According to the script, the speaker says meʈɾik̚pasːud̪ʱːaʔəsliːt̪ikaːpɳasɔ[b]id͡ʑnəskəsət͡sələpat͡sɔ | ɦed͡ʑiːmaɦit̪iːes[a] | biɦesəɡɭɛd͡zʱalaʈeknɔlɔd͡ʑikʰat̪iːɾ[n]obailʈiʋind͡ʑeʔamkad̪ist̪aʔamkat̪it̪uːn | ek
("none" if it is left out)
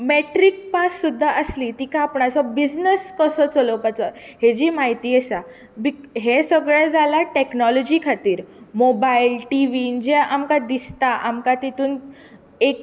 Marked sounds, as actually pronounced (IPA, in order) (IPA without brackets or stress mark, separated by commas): b, a, m